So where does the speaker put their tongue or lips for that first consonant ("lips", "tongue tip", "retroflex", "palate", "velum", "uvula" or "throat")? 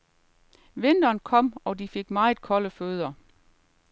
lips